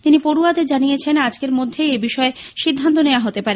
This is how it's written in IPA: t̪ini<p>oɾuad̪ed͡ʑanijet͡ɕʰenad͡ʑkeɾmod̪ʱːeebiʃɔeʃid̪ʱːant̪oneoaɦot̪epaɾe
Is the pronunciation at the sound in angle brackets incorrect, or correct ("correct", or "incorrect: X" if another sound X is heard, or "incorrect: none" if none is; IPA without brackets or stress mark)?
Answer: correct